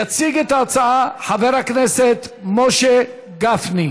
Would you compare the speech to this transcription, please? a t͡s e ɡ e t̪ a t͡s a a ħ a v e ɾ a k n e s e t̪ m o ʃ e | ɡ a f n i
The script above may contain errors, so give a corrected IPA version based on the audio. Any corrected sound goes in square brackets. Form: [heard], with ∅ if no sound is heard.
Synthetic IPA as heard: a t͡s [i] ɡ e t̪ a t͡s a a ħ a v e ɾ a k n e s e t̪ m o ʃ e | ɡ a f n i